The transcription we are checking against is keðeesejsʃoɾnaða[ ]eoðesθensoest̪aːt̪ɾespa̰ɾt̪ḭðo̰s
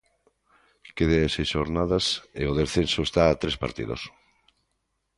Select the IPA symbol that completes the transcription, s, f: s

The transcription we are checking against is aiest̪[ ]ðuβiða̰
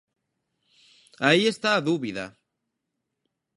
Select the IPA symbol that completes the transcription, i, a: a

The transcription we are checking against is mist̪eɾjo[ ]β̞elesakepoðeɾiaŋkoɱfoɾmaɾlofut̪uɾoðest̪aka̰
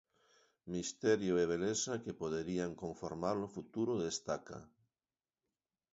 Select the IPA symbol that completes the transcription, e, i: e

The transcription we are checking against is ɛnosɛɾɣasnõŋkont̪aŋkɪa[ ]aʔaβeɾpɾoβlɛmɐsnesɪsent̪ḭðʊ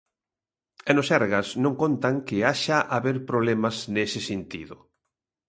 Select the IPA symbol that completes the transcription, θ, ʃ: ʃ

